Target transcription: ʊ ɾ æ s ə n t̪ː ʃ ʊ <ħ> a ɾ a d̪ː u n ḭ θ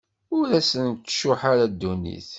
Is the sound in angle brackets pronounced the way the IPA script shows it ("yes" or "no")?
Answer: yes